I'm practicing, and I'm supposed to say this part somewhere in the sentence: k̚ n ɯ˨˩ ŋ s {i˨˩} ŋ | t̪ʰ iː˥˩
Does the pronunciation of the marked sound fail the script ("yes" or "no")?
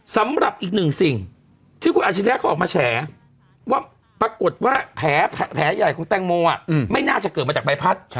no